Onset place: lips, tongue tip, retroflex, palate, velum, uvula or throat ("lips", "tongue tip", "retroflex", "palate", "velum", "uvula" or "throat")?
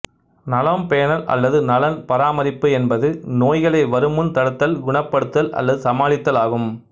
tongue tip